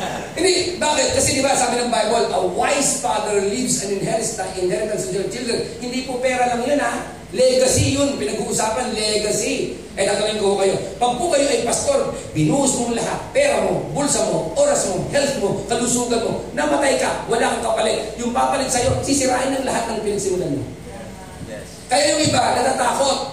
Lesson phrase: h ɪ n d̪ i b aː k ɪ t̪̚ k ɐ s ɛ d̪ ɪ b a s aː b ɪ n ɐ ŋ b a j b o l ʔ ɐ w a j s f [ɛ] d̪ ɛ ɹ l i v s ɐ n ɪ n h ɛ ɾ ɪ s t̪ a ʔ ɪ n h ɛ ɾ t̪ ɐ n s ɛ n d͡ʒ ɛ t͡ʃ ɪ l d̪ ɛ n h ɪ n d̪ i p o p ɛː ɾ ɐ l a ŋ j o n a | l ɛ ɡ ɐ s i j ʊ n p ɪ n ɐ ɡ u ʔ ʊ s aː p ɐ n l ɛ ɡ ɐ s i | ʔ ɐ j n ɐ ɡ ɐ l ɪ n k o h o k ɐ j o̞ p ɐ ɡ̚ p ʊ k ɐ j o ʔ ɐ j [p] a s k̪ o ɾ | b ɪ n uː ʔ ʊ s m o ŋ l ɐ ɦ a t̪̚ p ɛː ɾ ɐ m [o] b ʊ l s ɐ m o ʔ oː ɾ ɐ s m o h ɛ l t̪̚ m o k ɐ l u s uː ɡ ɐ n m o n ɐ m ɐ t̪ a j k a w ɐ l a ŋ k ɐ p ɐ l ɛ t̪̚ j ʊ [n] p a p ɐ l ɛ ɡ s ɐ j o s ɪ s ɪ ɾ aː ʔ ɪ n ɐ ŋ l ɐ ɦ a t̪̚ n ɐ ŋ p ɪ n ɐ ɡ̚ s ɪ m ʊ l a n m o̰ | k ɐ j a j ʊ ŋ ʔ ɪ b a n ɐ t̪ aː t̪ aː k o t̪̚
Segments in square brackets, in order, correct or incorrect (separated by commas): incorrect, correct, correct, incorrect